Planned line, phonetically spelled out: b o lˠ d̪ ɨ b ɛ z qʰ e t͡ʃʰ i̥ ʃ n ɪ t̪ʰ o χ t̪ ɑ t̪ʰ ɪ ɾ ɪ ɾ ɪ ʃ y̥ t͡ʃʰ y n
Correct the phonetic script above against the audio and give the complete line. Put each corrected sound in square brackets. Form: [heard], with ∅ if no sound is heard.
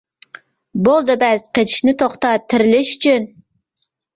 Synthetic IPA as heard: b o lˠ d̪ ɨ b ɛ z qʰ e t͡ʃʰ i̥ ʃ n ɪ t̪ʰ o χ t̪ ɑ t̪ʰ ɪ ɾ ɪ [l] ɪ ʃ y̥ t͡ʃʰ y n